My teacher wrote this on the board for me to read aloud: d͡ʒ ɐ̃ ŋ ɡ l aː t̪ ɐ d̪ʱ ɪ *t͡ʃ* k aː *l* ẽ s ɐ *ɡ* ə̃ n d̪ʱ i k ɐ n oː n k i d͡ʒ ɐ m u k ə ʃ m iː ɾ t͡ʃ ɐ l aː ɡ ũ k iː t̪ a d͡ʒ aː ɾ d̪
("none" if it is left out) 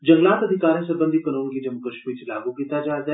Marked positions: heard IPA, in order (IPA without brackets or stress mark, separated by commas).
none, ɾ, b